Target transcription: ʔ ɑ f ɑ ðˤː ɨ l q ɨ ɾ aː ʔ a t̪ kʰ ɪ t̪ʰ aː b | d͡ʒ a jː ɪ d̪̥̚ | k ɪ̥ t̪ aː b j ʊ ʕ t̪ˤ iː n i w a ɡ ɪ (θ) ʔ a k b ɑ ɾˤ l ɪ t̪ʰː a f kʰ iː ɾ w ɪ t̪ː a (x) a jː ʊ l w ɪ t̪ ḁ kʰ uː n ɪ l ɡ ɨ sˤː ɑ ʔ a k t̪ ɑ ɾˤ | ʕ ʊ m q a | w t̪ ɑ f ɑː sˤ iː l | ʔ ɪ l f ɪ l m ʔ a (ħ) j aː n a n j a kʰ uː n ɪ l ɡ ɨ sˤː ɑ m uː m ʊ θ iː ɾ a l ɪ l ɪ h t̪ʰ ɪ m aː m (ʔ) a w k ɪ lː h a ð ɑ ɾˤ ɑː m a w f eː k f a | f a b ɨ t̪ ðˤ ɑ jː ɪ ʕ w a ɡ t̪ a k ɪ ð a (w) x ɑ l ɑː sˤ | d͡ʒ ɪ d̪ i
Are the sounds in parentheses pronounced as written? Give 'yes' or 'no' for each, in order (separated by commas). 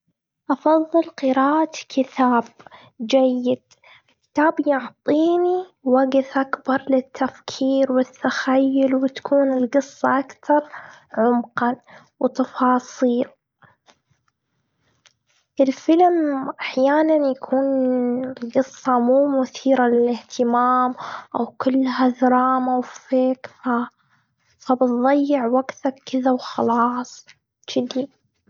yes, yes, yes, yes, yes